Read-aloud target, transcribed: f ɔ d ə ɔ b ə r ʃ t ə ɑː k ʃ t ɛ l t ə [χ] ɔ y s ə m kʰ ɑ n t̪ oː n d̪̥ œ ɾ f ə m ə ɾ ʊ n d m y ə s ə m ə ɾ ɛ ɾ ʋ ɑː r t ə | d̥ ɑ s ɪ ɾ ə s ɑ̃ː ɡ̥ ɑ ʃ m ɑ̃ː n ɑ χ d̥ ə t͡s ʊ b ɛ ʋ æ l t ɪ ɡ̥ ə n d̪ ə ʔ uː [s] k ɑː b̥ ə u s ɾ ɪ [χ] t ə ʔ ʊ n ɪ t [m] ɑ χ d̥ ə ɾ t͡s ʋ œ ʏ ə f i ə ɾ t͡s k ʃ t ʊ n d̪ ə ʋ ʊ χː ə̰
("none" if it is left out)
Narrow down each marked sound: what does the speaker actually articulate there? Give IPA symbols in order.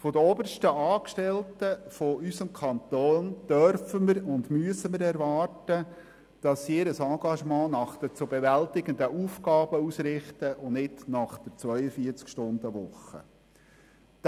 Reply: f, f, χ, n

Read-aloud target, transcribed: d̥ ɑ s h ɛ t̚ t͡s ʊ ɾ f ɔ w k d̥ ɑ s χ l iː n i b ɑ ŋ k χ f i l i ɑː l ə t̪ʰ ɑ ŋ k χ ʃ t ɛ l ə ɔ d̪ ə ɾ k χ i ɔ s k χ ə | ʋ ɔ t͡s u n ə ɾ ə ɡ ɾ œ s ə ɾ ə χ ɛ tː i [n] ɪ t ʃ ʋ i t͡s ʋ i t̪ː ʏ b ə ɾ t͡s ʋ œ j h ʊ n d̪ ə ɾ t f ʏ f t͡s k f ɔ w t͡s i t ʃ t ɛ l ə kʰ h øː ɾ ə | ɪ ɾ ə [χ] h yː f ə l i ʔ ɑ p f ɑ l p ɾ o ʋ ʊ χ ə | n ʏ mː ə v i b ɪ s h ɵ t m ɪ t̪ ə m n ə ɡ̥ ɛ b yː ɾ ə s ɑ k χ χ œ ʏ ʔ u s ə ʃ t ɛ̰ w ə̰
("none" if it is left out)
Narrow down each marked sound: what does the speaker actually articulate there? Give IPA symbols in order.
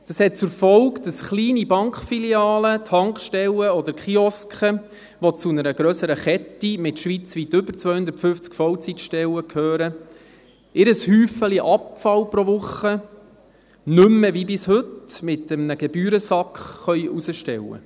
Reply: m, s

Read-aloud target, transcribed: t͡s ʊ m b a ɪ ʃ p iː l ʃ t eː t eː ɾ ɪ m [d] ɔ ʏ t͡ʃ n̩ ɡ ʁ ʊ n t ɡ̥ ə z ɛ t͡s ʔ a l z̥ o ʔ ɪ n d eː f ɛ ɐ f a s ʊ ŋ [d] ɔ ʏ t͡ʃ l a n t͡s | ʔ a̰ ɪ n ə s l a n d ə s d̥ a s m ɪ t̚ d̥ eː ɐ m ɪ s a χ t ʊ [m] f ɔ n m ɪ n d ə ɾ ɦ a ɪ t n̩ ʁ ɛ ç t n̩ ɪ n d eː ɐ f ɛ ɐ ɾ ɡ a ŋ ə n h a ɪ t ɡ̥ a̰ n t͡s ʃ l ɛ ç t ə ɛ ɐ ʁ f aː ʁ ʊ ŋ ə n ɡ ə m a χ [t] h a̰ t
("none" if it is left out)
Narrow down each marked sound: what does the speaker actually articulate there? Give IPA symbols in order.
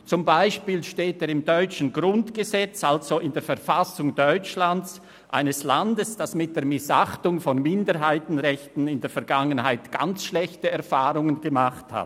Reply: d, d, ŋ, t

